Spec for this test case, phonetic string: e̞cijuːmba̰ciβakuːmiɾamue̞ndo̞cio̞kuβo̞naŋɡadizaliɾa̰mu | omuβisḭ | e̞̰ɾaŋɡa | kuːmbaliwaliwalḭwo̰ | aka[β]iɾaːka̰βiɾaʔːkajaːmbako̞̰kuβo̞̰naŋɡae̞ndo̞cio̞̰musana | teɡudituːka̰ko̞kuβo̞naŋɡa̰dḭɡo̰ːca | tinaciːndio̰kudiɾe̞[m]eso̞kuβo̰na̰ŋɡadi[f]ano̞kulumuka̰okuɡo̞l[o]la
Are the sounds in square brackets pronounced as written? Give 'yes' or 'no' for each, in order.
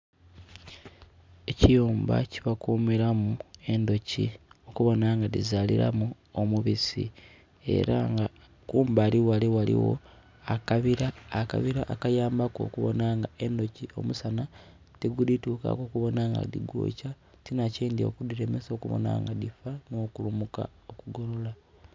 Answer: yes, yes, yes, yes

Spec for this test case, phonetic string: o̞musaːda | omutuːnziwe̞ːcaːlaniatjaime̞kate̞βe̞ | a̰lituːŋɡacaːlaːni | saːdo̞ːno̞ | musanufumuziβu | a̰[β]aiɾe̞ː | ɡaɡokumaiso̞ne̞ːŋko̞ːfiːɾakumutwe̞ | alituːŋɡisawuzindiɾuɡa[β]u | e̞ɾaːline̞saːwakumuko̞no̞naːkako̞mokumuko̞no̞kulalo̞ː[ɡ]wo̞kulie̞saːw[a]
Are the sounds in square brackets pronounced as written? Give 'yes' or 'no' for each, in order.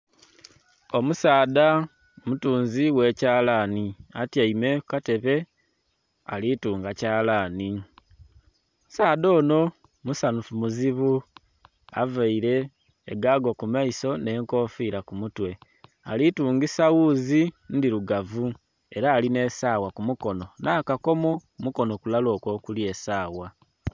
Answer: no, no, no, yes

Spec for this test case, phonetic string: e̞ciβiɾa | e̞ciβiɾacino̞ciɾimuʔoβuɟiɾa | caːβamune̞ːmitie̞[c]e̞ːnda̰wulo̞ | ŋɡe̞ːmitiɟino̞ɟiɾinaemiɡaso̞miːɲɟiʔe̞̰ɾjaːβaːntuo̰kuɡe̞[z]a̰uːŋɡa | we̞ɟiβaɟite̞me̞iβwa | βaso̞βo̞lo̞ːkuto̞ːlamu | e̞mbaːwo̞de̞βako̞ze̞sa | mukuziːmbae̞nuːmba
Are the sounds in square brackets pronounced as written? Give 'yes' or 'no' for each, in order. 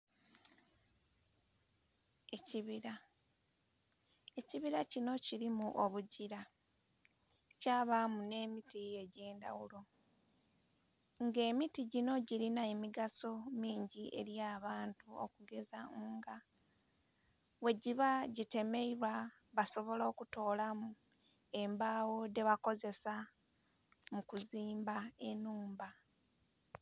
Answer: no, yes

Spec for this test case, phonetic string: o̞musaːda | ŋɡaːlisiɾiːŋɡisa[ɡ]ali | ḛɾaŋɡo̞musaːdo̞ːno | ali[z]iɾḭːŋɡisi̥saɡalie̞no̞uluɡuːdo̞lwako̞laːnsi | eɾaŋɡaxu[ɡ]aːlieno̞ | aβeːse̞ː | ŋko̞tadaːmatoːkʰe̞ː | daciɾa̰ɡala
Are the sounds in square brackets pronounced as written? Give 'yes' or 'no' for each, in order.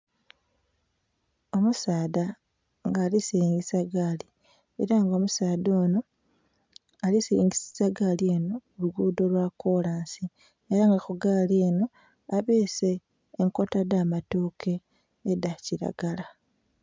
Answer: yes, no, yes

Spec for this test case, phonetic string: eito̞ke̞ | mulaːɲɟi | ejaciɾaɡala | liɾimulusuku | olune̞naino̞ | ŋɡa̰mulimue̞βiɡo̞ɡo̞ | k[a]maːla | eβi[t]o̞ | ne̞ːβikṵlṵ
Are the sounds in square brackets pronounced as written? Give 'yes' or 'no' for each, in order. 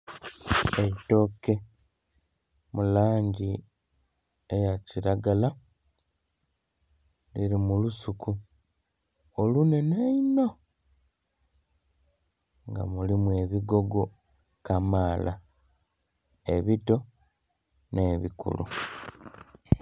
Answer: yes, yes

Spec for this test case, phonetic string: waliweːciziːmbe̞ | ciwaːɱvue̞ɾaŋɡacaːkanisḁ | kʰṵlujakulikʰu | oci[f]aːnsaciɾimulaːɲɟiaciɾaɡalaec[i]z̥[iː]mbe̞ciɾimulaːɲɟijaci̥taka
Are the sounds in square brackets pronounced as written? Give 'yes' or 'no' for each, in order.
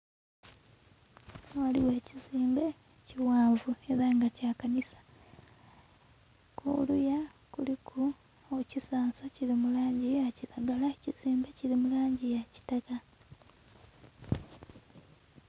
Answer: no, yes, yes

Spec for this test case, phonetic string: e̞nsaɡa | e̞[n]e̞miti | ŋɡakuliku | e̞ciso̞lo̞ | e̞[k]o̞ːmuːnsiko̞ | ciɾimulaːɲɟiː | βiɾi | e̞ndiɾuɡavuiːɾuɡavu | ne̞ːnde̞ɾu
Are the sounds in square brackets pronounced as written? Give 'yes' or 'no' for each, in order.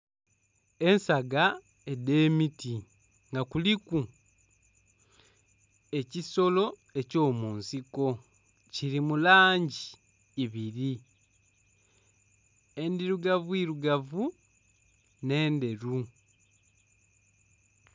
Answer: no, no

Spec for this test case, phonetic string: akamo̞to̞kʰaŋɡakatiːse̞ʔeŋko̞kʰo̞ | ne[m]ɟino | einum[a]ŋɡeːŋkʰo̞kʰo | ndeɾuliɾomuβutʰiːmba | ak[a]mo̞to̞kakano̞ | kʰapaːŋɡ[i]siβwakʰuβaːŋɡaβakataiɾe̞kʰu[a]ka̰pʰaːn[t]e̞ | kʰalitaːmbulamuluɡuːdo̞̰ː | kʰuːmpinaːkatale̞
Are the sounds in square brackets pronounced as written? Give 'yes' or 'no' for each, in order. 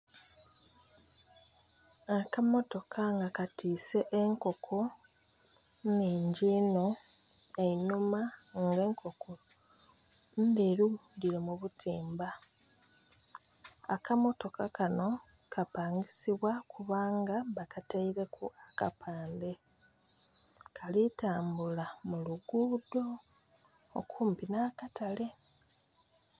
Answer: no, yes, yes, yes, yes, no

